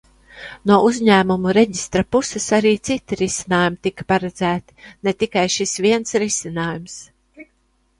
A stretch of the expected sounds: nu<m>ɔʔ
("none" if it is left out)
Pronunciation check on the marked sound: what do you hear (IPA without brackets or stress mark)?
none